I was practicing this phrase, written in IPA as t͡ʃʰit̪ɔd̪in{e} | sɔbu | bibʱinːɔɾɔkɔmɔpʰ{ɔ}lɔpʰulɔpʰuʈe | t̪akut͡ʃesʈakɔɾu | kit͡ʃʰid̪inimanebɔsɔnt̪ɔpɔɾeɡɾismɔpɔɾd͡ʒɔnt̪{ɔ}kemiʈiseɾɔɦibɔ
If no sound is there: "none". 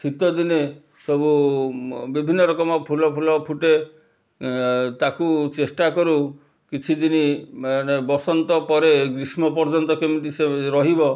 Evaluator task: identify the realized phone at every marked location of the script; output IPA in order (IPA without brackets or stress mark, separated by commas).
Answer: e, u, ɔ